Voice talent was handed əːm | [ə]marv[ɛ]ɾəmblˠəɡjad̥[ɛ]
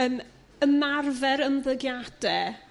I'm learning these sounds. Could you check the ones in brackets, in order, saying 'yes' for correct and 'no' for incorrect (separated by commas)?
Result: yes, yes, yes